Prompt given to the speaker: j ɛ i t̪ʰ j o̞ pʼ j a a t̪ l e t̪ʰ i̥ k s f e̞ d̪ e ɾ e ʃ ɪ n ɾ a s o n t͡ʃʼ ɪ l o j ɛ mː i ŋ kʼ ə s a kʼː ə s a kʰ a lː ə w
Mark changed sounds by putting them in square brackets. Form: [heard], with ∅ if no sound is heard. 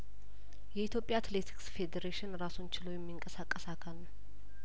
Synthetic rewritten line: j ɛ i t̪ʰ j o̞ pʼ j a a t̪ l e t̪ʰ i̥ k s f e̞ d̪ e ɾ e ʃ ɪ n ɾ a s o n [t͡ʃ] ɪ l o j ɛ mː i ŋ kʼ ə s a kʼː ə s a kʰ a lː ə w